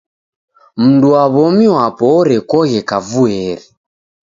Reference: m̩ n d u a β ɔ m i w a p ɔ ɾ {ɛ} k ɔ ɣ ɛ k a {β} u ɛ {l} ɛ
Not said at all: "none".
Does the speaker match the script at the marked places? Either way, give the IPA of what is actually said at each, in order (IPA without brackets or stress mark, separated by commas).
ɛ, v, ɾ